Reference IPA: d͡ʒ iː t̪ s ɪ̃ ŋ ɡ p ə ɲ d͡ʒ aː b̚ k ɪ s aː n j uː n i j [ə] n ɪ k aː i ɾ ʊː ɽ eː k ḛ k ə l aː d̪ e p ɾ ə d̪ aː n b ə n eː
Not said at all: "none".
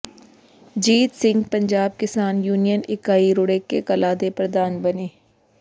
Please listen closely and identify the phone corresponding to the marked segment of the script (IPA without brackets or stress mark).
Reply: ə